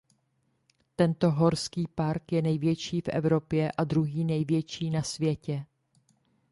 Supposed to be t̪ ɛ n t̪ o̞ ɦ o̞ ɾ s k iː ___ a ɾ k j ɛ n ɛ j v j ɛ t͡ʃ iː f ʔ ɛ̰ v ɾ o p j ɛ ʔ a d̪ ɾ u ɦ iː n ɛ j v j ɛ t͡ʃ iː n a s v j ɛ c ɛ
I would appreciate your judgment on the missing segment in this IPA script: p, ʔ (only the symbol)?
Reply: p